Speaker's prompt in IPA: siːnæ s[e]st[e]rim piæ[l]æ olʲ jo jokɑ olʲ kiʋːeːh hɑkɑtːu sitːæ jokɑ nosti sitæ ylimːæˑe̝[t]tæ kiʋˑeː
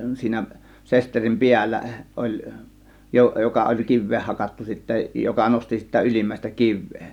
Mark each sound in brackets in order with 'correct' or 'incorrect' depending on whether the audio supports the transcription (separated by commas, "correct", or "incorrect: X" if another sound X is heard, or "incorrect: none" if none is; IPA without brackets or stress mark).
correct, correct, incorrect: lː, incorrect: s